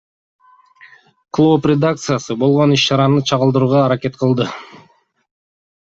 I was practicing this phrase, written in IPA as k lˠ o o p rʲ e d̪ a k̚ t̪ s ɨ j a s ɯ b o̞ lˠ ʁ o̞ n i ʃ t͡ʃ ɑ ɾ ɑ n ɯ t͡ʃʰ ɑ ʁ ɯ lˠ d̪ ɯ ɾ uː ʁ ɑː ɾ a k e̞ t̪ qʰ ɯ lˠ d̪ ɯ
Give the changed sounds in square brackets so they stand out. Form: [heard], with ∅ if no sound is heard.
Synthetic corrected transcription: k lˠ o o p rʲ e d̪ a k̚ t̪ s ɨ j a s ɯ b o̞ lˠ ʁ o̞ n i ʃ t͡ʃ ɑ ɾ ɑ n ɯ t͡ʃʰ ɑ ʁ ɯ lˠ d̪ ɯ ɾ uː ʁ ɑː ɾ a k e̞ t̪ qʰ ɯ lˠ d̪ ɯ

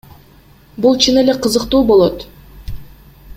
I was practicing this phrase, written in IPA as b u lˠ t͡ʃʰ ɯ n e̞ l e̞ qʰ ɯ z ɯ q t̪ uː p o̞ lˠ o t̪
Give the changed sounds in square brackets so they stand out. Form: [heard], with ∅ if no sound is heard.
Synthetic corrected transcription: b u lˠ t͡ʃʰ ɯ n e̞ l e̞ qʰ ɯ z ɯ q t̪ uː [b] o̞ lˠ o t̪

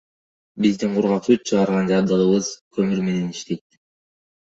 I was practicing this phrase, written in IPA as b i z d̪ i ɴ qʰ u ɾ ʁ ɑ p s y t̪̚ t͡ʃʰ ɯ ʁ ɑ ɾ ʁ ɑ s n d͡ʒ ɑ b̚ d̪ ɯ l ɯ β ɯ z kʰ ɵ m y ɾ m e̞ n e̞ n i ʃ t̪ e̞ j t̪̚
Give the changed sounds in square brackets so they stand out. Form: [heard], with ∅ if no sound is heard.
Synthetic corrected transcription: b i z d̪ i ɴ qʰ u ɾ ʁ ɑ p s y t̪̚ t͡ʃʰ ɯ ʁ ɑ ɾ ʁ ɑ [∅] n d͡ʒ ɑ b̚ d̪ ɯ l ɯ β ɯ z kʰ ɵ m y ɾ m e̞ n e̞ n i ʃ t̪ e̞ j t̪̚

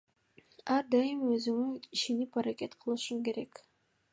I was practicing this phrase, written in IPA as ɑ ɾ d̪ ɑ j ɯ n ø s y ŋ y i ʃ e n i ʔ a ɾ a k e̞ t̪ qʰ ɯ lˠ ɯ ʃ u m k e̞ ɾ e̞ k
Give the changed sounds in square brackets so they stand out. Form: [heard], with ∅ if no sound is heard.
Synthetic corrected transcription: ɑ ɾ d̪ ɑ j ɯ [m] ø [z] y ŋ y i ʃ e n i [p] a ɾ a k e̞ t̪ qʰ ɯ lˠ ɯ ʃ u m k e̞ ɾ e̞ k

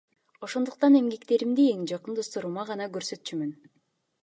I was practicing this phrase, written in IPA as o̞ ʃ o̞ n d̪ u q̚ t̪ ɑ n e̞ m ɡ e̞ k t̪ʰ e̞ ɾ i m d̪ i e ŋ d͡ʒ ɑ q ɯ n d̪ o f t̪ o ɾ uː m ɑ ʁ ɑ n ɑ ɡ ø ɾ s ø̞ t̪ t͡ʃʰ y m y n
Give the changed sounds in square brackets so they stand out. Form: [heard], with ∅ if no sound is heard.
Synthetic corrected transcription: o̞ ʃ o̞ n d̪ u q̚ t̪ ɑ n e̞ m ɡ e̞ k [t̪] e̞ ɾ i m d̪ i e ŋ d͡ʒ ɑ q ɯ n d̪ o [s] t̪ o ɾ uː m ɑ ʁ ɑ n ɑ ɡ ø ɾ s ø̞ t̪ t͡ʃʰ y m y n

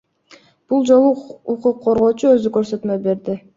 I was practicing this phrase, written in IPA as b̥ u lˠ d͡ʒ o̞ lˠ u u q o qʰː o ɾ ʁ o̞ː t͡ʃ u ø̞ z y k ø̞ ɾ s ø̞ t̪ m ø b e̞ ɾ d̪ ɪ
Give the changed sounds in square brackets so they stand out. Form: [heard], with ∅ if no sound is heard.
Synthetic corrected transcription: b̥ u lˠ d͡ʒ o̞ lˠ u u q [u] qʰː o ɾ ʁ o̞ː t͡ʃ u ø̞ z y k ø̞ ɾ s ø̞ t̪ m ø b e̞ ɾ d̪ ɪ

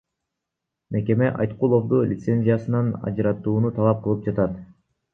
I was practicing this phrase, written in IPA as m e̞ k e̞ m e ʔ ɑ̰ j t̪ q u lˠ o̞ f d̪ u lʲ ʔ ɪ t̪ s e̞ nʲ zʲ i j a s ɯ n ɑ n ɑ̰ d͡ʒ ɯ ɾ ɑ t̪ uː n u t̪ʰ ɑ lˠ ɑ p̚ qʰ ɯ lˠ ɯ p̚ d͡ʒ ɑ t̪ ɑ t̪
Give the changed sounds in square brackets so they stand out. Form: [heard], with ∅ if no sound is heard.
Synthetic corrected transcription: m e̞ k e̞ m e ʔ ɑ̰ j t̪ q u lˠ o̞ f d̪ u lʲ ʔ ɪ t̪ s e̞ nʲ zʲ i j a s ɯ n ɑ n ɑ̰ d͡ʒ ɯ ɾ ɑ t̪ uː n u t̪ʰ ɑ lˠ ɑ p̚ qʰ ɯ lˠ ɯ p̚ d͡ʒ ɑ t̪ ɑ t̪

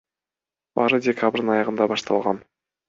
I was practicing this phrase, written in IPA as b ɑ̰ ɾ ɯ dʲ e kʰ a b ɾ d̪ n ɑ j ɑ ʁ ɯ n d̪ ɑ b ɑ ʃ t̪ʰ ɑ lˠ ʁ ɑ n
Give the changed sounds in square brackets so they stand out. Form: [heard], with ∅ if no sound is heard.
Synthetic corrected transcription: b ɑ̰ ɾ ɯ dʲ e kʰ a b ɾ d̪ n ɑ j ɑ ʁ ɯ n d̪ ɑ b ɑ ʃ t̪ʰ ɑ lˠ ʁ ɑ n

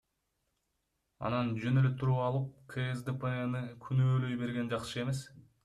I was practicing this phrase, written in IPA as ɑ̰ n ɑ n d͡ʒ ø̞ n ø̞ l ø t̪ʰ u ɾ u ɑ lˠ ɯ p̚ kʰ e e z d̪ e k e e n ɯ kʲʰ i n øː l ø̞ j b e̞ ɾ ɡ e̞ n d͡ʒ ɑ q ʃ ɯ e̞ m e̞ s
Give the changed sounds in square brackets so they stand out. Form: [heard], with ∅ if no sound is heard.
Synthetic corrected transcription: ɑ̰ n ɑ n d͡ʒ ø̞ n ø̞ l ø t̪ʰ u ɾ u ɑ lˠ ɯ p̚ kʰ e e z d̪ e [p] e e n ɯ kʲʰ [y] n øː l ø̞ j b e̞ ɾ ɡ e̞ n d͡ʒ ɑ q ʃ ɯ e̞ m e̞ s

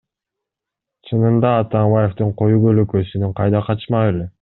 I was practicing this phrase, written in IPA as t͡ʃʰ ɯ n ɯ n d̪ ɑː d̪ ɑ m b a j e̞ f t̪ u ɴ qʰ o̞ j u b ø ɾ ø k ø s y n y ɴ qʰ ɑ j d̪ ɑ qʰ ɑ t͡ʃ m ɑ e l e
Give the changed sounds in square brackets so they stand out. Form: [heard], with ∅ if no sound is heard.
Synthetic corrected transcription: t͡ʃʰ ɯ n ɯ n d̪ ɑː [t̪] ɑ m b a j e̞ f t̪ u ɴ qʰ o̞ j u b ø [l] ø k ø s y n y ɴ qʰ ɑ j d̪ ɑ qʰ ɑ t͡ʃ m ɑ e l e

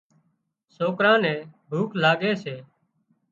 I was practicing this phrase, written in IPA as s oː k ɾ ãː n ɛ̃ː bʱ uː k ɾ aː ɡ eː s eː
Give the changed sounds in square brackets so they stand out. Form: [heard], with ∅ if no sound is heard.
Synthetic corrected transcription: s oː k ɾ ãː n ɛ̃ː bʱ uː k [l] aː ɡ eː s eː

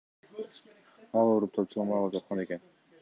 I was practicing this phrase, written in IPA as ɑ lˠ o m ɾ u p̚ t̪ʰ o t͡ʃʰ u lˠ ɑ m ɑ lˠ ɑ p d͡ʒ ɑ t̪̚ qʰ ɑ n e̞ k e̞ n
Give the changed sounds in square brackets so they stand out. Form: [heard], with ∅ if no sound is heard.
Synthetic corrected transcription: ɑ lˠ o [∅] ɾ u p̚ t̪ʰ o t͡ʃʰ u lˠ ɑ m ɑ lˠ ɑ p d͡ʒ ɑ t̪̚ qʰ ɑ n e̞ k e̞ n

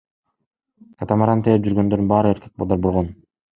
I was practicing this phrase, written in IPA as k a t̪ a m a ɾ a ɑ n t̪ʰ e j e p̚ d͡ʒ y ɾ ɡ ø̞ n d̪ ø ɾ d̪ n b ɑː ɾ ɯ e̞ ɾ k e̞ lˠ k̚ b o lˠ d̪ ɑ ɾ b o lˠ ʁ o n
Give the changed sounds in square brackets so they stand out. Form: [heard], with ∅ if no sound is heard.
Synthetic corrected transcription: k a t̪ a m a ɾ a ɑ n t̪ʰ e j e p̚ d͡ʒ y ɾ ɡ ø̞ n d̪ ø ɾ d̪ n b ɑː ɾ ɯ e̞ ɾ k e̞ [∅] k̚ b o lˠ d̪ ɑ ɾ b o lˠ ʁ o n

